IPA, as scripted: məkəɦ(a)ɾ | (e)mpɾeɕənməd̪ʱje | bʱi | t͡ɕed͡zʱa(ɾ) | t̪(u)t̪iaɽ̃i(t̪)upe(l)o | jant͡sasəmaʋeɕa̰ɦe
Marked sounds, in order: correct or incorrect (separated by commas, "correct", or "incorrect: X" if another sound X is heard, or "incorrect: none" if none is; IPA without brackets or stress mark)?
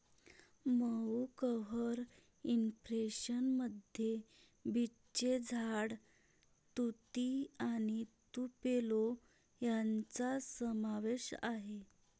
incorrect: ə, incorrect: i, incorrect: ɽ, correct, correct, correct